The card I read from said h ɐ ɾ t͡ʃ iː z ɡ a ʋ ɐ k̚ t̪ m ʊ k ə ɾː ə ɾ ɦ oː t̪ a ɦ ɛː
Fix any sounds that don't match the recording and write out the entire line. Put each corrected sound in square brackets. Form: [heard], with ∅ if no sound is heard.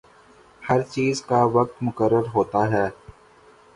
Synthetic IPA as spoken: h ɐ ɾ t͡ʃ iː z [k] a ʋ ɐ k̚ t̪ m ʊ k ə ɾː ə ɾ ɦ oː t̪ a ɦ ɛː

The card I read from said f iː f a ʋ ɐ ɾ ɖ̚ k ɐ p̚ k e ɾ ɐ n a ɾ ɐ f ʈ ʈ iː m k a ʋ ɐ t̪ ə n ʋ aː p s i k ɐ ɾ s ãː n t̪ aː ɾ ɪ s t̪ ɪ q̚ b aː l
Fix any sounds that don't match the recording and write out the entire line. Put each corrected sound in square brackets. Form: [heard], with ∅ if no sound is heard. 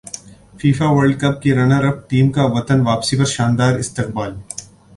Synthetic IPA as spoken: f iː f a ʋ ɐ ɾ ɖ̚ k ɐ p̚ k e ɾ ɐ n a ɾ ɐ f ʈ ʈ iː m k a ʋ ɐ t̪ ə n ʋ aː p s i [p] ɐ ɾ [ʃ] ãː n [d̪] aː ɾ ɪ s t̪ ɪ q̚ b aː l

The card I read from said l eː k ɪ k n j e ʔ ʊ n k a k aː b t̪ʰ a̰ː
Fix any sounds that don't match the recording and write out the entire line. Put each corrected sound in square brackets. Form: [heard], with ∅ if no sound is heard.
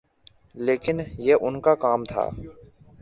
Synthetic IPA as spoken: l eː k ɪ [∅] n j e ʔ ʊ n k a k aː [m] t̪ʰ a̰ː

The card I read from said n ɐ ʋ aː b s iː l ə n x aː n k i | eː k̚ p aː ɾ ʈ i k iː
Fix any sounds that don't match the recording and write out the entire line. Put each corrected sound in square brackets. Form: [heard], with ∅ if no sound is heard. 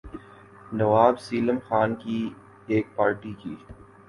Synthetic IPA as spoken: n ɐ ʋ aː b s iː l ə [m] x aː n k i | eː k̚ p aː ɾ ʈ i k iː

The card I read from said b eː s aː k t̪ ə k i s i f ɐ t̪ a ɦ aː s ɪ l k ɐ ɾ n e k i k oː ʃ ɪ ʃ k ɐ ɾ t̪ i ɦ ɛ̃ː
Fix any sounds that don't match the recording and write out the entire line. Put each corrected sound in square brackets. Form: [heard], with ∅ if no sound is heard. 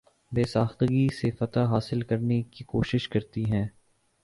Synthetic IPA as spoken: b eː s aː [x] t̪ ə [ɡ] i s [e] f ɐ t̪ a ɦ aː s ɪ l k ɐ ɾ n e k i k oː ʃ ɪ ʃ k ɐ ɾ t̪ i ɦ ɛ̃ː

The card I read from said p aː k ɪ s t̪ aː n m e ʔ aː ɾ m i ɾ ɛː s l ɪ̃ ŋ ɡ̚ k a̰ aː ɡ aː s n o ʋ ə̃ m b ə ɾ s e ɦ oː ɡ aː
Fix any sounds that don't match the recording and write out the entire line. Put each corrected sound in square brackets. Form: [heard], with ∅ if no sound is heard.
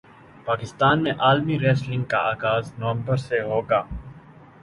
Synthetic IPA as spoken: p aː k ɪ s t̪ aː n m [ẽ] ʔ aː [l] m i ɾ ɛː s l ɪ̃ ŋ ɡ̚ k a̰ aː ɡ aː [z] n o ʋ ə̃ m b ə ɾ s e ɦ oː ɡ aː

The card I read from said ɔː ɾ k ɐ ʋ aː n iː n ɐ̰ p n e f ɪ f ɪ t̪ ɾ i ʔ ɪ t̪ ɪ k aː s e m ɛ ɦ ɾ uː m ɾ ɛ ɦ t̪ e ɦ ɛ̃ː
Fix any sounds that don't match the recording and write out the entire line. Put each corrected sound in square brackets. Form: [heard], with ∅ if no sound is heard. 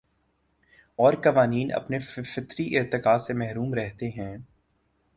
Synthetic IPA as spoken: ɔː ɾ k ɐ ʋ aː n iː n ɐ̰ p n e f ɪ f ɪ t̪ ɾ i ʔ ɪ t̪ ɪ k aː s e m ɛ ɦ ɾ uː m ɾ ɛ ɦ t̪ e ɦ ɛ̃ː

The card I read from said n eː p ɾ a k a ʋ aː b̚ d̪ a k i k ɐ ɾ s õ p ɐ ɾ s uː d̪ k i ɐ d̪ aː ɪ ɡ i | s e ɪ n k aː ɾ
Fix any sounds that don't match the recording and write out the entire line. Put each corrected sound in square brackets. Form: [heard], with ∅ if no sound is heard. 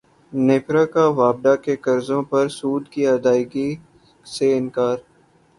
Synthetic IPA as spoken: n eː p ɾ a k a ʋ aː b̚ d̪ a k [e] k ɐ ɾ [z] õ p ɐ ɾ s uː d̪ k i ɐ d̪ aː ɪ ɡ i | s e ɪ n k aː ɾ

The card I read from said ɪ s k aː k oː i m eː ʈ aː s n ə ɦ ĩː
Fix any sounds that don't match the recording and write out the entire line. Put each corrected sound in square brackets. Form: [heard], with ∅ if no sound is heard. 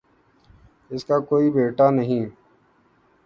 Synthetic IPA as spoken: ɪ s k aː k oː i [b] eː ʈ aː [∅] n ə ɦ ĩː

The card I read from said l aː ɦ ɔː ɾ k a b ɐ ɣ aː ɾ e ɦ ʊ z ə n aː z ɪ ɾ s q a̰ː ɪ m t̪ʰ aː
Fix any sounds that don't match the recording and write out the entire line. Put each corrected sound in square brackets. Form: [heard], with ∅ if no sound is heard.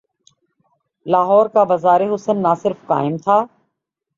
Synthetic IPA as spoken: l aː ɦ ɔː ɾ k a b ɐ [z] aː ɾ e ɦ ʊ [s] ə [nː] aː [s] ɪ ɾ [f] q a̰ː ɪ m t̪ʰ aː

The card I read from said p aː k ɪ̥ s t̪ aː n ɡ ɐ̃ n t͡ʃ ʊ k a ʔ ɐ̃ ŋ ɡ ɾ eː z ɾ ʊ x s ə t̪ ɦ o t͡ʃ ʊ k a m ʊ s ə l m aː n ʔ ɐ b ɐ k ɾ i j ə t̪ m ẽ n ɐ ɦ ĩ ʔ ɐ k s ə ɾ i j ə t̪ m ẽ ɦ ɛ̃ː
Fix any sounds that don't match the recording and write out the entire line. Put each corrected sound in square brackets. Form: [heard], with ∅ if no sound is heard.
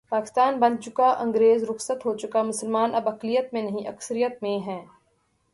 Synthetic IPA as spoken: p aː k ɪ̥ s t̪ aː n [b] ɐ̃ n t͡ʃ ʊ k a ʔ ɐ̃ ŋ ɡ ɾ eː z ɾ ʊ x s ə t̪ ɦ o t͡ʃ ʊ k a m ʊ s ə l m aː n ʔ ɐ b ɐ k [l] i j ə t̪ m ẽ n ɐ ɦ ĩ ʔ ɐ k s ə ɾ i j ə t̪ m ẽ ɦ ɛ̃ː

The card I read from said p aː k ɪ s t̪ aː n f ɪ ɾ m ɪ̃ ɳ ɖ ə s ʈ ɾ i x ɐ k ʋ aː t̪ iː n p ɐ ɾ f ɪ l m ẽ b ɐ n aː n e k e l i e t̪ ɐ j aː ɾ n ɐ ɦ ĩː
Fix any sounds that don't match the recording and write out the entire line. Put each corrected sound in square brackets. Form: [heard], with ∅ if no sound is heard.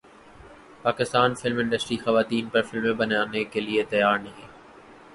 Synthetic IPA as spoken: p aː k ɪ s t̪ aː n f ɪ [l] m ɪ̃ ɳ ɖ ə s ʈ ɾ i x ɐ [∅] ʋ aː t̪ iː n p ɐ ɾ f ɪ l m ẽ b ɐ n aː n e k e l i e t̪ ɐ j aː ɾ n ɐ ɦ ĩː

